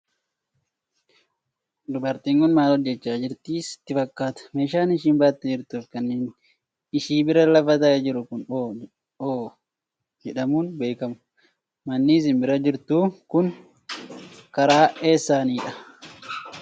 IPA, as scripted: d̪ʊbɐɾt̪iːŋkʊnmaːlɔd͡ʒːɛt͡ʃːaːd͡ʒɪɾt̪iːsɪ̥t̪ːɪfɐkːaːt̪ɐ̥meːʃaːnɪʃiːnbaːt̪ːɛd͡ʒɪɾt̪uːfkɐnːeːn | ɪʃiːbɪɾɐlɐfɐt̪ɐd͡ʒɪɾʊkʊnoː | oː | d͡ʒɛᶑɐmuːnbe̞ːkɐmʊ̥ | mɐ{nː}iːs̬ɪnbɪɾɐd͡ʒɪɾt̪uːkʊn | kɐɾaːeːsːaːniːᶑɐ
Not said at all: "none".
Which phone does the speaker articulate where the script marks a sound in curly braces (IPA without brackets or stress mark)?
nː